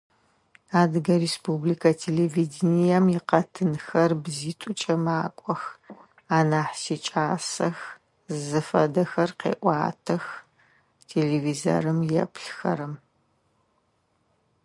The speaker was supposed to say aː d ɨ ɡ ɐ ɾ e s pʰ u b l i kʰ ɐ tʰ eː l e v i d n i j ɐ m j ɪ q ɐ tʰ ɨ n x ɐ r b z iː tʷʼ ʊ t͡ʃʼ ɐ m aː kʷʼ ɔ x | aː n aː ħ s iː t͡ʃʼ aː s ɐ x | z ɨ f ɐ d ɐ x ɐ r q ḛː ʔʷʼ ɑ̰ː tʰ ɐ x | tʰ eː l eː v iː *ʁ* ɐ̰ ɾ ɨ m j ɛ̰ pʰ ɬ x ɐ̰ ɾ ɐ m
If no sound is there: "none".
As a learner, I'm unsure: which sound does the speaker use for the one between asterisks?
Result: z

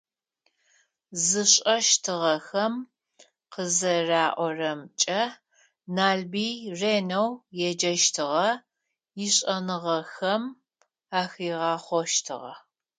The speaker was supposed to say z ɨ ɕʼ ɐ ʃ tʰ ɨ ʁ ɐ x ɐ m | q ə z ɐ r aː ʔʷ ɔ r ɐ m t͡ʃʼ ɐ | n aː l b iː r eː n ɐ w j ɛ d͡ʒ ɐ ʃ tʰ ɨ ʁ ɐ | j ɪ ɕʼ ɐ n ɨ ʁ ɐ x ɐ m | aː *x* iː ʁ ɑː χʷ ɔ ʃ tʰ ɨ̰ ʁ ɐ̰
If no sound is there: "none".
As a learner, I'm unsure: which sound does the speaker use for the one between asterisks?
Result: x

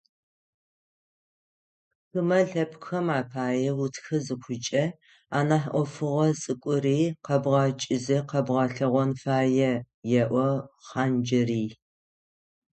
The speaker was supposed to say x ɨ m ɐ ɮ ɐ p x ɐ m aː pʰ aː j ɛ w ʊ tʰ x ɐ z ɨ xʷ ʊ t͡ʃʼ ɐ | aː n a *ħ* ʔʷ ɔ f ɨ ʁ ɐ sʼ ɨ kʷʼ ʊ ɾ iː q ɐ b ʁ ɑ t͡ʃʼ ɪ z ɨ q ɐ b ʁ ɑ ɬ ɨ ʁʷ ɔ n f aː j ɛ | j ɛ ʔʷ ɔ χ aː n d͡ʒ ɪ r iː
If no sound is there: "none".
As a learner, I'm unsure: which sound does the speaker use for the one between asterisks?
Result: ħ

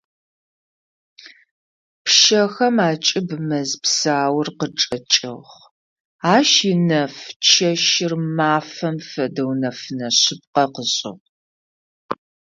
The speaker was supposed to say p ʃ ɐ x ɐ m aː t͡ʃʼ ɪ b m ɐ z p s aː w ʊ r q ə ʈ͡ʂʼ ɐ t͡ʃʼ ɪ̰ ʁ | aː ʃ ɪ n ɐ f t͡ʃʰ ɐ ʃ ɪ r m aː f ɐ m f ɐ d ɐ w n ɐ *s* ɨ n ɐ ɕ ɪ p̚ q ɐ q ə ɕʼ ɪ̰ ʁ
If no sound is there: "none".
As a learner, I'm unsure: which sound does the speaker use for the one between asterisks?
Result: f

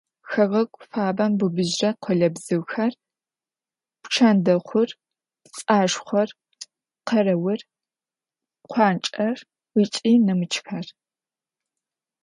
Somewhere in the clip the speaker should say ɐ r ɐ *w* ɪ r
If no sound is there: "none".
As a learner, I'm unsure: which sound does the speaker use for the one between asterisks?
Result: w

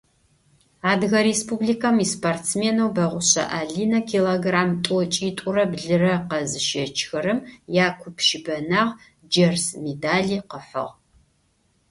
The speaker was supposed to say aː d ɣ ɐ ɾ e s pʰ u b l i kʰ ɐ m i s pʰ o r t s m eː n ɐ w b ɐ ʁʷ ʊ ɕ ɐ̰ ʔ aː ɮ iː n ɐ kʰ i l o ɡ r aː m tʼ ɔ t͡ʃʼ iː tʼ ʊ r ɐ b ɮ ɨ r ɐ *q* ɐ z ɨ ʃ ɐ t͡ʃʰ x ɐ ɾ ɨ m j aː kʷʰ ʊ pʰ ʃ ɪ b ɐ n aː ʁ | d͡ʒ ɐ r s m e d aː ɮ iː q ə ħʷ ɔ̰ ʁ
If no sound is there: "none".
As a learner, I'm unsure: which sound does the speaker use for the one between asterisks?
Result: q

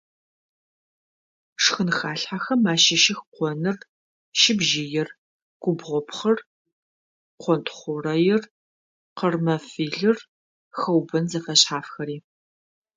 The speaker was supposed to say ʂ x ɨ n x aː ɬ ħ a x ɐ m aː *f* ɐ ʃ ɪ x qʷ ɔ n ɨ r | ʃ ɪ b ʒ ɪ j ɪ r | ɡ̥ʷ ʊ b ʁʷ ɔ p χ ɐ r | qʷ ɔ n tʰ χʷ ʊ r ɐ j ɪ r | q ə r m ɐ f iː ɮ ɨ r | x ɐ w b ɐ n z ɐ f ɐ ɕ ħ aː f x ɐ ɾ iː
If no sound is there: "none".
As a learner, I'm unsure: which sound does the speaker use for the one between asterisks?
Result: ʃ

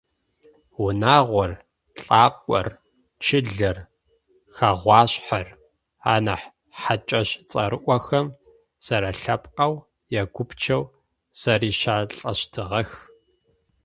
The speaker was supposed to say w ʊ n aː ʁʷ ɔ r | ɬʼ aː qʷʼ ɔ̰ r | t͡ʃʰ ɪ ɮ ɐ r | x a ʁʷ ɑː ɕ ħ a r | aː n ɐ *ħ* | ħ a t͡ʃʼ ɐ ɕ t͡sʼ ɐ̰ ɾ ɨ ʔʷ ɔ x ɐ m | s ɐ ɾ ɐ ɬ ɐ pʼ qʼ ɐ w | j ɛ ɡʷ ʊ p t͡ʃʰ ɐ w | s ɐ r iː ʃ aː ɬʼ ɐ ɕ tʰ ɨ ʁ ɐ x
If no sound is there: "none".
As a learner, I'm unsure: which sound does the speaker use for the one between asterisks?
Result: ħ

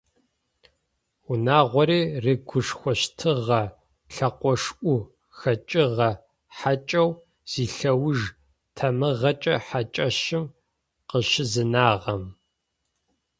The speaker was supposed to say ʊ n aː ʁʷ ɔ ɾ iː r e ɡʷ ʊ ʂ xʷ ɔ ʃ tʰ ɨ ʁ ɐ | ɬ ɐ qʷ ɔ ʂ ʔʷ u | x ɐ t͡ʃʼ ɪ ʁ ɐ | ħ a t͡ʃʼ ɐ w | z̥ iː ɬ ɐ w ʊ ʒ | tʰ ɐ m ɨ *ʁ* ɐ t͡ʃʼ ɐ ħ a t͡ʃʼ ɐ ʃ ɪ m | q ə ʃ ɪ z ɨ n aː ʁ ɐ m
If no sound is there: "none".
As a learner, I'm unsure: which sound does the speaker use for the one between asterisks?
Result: ʁ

